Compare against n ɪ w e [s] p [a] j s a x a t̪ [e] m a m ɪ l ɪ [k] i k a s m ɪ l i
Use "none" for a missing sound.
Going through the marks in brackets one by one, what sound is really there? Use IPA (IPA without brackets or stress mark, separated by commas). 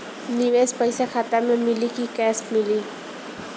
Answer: s, a, a, k